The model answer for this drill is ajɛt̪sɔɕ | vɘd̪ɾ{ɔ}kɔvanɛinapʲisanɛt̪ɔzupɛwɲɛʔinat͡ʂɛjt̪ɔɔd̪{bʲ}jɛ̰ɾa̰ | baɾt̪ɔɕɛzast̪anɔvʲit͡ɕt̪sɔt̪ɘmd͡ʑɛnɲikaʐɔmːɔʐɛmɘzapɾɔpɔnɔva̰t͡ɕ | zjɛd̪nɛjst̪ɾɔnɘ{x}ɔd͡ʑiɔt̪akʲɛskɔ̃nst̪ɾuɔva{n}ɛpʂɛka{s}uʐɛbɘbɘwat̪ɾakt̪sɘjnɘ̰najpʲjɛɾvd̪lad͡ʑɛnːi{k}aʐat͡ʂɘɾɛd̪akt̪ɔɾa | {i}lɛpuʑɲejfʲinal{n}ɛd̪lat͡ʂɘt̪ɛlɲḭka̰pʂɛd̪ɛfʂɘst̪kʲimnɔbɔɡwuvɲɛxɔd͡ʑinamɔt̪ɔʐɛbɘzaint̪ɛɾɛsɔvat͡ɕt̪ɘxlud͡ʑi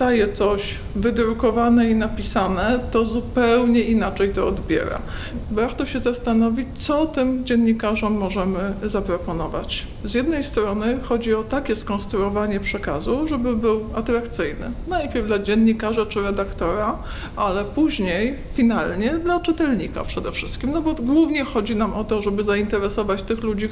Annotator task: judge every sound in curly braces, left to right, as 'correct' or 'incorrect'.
incorrect: u, correct, correct, incorrect: ɲ, incorrect: z, correct, incorrect: a, incorrect: ɲ

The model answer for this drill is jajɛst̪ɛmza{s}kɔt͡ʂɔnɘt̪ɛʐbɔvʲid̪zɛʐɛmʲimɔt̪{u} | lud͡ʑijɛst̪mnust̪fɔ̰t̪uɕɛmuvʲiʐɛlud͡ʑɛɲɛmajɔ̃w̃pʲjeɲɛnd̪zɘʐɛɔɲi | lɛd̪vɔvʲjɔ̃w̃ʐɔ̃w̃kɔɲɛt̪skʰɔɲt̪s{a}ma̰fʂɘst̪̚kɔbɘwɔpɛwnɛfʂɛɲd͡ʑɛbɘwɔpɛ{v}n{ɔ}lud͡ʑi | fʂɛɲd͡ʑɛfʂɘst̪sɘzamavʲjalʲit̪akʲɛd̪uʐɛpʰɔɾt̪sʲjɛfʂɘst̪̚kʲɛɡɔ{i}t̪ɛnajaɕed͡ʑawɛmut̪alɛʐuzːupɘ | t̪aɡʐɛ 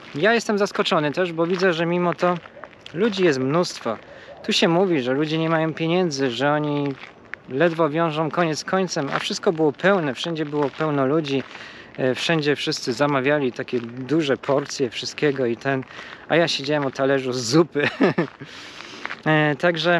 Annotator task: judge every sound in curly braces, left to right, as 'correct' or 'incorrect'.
correct, incorrect: ɔ, incorrect: ɛ, incorrect: w, correct, correct

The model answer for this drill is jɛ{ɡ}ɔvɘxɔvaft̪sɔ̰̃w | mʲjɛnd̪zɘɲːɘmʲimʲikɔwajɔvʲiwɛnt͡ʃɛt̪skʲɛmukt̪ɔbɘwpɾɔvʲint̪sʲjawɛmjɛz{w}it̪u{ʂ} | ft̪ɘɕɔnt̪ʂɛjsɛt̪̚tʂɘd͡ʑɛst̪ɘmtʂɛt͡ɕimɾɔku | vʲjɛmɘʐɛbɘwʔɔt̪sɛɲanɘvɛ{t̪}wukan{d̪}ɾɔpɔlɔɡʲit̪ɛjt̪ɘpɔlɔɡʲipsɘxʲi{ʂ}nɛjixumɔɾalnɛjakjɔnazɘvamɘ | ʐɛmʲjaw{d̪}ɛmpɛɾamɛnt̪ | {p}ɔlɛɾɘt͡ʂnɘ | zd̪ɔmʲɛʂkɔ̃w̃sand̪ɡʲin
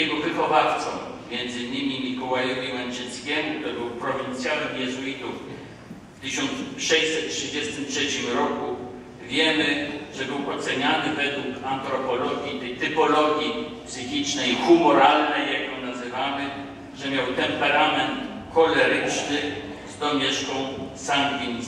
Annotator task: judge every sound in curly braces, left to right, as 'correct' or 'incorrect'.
correct, incorrect: u, incorrect: f, incorrect: d̪, incorrect: t̪, incorrect: t͡ʂ, incorrect: t̪, incorrect: k

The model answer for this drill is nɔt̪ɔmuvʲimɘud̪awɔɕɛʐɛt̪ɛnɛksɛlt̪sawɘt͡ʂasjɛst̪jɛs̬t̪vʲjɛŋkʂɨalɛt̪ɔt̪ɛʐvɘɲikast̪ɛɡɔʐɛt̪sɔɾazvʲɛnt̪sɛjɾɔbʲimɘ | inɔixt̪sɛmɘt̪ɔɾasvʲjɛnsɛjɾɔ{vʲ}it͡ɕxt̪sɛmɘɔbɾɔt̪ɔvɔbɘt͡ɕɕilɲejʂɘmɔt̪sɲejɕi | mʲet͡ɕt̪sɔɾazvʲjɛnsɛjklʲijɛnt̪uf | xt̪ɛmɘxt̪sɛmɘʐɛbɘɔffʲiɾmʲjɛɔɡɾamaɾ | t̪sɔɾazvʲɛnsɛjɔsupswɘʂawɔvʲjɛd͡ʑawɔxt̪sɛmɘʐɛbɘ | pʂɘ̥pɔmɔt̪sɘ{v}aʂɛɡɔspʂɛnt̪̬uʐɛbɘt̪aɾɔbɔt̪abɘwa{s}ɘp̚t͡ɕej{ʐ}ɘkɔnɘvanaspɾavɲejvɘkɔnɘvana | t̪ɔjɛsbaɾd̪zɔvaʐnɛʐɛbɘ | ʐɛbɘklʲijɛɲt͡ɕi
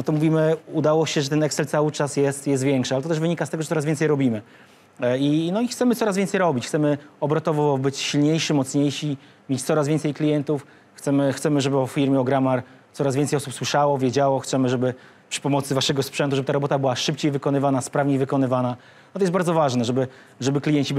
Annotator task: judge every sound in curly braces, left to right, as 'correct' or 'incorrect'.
incorrect: bʲ, correct, incorrect: ʂ, incorrect: v

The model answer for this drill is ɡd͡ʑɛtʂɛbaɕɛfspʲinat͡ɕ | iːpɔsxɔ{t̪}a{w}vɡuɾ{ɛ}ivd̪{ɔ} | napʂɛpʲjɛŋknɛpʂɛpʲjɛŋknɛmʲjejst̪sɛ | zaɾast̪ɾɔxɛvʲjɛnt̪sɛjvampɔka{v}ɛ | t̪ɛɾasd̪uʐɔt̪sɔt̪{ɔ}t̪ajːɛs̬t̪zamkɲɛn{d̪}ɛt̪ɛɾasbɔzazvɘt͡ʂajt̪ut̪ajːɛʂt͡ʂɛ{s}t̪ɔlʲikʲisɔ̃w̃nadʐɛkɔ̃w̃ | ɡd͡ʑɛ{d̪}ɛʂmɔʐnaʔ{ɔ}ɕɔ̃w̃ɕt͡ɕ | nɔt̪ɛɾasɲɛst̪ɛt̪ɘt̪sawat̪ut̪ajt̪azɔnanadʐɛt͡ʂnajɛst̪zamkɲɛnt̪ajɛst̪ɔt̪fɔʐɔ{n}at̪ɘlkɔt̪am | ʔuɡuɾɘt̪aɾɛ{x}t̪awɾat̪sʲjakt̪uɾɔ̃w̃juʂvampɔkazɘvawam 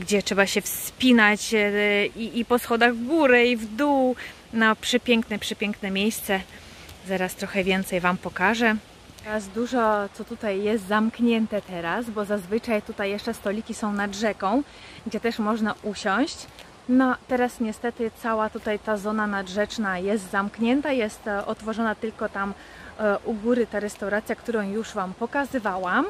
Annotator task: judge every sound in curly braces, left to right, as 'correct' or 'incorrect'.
incorrect: d̪, incorrect: ɣ, correct, incorrect: u, incorrect: ʐ, incorrect: u, incorrect: t̪, correct, incorrect: t̪, incorrect: u, correct, incorrect: s

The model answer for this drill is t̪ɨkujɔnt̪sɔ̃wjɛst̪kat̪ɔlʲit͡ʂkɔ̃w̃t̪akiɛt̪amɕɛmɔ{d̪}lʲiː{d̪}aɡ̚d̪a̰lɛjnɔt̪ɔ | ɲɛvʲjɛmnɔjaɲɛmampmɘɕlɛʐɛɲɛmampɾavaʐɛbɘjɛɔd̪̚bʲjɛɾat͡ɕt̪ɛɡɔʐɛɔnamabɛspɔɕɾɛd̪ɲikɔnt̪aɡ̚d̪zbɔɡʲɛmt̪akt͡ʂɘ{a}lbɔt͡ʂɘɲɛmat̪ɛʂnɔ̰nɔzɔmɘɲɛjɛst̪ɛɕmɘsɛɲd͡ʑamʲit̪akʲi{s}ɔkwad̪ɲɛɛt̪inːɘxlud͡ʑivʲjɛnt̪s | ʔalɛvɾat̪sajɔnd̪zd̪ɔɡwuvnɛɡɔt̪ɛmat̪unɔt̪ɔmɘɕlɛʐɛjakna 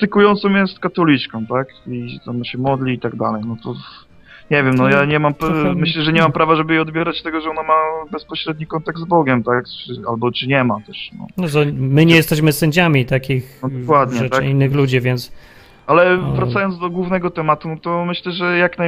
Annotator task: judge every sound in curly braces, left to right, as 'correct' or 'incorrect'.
correct, incorrect: t̪, correct, incorrect: x

